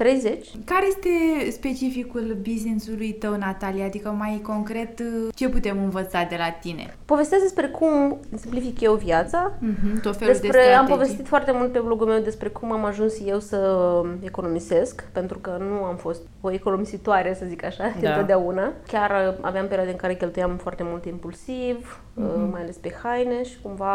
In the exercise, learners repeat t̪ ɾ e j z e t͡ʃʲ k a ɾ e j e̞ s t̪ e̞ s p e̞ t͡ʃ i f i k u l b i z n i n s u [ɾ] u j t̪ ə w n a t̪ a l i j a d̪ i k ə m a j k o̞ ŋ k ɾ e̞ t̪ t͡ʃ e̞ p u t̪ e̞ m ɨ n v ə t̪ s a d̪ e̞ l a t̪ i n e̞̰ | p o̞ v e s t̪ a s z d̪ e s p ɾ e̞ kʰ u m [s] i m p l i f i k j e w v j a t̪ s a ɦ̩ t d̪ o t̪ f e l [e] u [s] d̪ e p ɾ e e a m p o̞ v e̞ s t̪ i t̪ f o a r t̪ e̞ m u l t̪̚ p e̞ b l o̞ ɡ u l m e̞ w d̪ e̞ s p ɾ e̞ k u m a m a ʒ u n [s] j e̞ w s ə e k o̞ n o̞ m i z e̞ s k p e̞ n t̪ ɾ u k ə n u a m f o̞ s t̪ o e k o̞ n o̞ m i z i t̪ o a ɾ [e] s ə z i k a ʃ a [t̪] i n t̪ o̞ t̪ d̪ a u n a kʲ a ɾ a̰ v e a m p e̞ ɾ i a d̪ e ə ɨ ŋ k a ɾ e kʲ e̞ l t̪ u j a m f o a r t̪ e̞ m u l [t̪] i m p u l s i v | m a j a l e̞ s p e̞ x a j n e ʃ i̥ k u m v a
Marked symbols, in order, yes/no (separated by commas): no, yes, yes, yes, yes, yes, no, yes